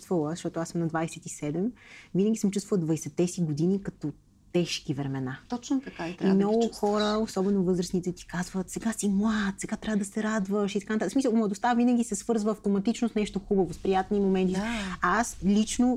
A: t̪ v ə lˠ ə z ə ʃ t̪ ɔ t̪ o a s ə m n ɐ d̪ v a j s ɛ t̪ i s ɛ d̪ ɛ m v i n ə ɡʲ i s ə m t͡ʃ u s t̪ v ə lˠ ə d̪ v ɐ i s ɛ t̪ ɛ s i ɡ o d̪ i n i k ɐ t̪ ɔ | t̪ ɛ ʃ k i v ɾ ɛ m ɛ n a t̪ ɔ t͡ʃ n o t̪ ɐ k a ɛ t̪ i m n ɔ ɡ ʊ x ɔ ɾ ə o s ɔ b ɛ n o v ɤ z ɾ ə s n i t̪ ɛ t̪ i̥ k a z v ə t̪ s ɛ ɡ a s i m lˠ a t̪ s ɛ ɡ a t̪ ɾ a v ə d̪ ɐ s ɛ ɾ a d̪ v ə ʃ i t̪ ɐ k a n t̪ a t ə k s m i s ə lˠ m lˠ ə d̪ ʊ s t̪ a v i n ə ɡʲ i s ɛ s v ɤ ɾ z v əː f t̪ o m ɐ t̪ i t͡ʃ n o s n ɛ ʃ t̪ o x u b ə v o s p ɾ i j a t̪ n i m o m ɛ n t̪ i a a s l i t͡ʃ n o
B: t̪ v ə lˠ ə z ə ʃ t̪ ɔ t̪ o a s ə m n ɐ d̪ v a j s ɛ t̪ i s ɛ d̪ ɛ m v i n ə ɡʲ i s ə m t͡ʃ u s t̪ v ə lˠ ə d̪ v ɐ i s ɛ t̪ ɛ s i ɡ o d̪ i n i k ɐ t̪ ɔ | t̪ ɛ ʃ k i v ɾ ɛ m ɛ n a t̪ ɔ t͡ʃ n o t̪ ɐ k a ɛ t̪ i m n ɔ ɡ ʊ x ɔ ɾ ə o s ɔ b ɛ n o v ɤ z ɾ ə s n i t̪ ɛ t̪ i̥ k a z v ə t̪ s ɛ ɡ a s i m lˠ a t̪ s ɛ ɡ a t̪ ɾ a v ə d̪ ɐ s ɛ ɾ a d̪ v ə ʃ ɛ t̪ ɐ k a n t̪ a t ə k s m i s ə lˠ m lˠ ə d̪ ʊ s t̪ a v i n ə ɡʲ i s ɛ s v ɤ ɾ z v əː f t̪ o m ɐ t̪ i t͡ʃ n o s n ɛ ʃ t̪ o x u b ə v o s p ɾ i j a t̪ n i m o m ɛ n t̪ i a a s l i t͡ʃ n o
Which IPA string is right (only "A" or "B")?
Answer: A